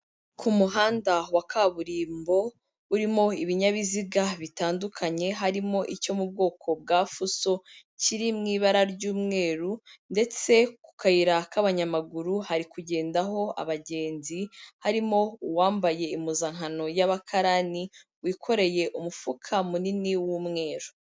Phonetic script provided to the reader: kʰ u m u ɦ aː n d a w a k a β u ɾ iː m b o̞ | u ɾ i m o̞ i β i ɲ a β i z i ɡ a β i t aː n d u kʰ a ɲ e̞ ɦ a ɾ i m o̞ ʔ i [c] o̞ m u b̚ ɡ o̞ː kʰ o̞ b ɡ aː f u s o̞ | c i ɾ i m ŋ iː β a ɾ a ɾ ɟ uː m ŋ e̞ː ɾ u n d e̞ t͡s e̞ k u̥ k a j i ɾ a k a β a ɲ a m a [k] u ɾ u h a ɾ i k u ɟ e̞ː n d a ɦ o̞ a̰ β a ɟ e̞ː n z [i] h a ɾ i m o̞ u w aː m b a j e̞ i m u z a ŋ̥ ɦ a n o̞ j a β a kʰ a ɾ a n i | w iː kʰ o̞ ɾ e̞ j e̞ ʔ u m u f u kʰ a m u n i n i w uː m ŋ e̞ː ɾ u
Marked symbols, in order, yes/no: yes, no, yes

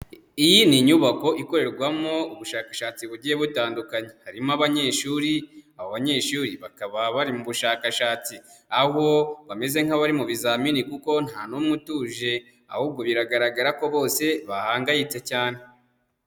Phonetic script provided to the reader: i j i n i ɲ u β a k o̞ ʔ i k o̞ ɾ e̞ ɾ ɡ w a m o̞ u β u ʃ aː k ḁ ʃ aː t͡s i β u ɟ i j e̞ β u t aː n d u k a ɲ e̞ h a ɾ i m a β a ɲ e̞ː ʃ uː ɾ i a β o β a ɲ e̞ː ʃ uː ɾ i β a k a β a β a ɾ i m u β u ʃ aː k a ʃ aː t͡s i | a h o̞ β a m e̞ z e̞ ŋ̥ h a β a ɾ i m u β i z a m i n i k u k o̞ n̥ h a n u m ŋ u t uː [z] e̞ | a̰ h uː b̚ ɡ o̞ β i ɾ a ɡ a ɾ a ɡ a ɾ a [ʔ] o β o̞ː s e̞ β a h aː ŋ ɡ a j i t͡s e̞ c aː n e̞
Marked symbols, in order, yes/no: no, no

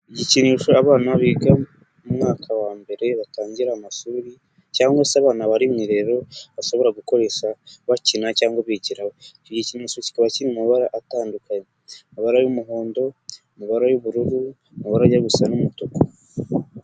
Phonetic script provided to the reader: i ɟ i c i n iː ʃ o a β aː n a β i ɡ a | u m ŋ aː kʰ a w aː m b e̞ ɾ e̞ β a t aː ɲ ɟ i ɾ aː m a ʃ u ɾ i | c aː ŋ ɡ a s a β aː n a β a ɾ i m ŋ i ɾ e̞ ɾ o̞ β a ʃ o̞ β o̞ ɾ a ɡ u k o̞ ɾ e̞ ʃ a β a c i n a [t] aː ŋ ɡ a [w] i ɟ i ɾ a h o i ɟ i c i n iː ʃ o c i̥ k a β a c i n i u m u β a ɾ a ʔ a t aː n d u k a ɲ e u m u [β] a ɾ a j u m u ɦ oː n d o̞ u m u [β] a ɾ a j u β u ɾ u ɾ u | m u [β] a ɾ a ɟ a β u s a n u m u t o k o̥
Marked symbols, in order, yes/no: no, no, yes, yes, yes

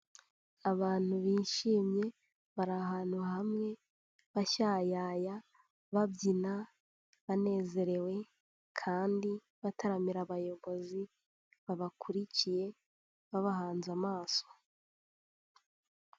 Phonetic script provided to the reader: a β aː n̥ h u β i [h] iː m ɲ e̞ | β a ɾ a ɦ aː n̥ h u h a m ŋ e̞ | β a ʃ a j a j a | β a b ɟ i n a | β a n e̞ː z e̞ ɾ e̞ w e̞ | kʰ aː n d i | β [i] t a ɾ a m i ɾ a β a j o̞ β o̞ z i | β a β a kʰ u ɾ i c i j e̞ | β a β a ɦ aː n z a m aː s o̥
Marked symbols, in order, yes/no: no, no

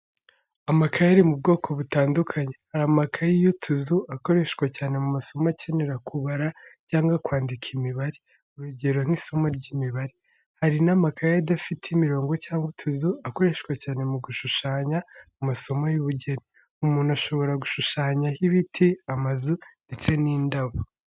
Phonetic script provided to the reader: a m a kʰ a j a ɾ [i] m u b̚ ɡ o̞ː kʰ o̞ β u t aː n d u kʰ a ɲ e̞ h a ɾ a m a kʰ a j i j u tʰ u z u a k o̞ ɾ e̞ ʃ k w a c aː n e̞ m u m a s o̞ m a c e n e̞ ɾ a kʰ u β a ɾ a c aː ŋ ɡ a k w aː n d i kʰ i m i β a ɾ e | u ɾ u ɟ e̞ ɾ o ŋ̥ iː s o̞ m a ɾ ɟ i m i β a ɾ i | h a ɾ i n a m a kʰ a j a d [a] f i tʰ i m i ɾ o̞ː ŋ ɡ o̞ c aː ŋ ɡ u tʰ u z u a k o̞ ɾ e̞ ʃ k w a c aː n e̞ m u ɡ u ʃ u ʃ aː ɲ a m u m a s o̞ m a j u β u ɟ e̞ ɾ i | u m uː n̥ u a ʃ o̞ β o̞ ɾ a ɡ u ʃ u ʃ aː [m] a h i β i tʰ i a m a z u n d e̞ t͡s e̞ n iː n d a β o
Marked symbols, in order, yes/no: yes, yes, no

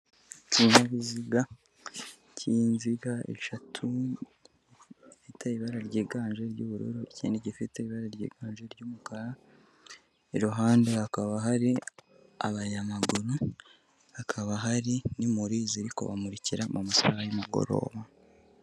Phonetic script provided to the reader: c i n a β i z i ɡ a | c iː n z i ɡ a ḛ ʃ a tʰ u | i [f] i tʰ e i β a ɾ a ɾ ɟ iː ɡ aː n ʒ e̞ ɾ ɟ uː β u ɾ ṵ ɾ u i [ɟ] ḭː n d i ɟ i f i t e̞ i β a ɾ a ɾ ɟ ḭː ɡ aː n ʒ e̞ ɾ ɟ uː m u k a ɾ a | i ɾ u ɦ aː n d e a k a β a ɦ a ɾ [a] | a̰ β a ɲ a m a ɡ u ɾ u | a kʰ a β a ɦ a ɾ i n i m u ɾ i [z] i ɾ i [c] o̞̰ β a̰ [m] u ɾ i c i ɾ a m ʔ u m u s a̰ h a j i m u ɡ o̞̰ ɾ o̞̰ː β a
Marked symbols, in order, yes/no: yes, no, no, yes, no, yes

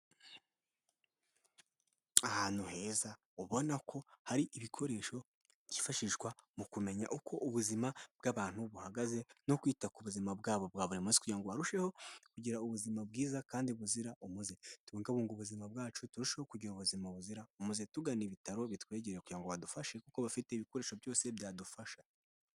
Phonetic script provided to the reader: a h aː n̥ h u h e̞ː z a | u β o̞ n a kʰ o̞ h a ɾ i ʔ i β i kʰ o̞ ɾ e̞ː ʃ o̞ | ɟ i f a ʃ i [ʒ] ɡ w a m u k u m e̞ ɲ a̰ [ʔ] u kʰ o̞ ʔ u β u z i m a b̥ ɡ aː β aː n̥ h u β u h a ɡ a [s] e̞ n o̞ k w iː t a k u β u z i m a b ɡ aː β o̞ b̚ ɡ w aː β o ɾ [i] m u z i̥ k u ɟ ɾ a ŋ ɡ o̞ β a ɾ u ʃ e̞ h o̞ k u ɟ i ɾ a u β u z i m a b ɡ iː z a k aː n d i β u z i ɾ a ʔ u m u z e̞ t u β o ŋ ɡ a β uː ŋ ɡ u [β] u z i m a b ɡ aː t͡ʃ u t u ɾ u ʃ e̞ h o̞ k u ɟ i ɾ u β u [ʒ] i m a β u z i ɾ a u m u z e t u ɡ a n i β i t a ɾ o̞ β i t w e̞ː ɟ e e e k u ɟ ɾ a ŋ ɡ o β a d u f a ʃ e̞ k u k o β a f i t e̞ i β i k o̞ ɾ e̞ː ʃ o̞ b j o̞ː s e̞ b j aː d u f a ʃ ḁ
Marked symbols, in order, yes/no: yes, yes, no, yes, yes, no

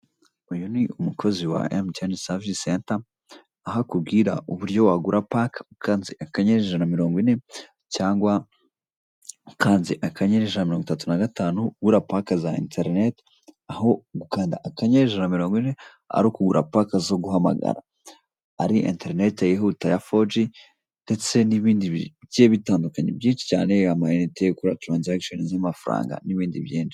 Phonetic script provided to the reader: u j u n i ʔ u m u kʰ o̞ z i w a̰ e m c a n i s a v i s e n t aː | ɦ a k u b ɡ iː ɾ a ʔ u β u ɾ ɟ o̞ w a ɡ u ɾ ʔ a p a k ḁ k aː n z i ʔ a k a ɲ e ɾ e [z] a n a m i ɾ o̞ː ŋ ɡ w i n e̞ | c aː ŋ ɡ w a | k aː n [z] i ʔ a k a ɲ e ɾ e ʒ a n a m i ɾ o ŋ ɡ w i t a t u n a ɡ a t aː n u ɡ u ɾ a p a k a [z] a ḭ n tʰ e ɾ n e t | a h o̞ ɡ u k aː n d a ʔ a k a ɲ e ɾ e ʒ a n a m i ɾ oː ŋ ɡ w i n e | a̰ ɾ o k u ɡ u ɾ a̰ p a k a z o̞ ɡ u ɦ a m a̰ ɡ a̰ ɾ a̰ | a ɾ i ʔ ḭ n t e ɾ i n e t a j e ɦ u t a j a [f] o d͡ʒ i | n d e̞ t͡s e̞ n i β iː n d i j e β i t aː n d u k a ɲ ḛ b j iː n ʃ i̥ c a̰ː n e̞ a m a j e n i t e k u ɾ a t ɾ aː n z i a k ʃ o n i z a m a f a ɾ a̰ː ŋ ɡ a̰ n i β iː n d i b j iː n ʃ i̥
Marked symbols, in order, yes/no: no, yes, yes, yes

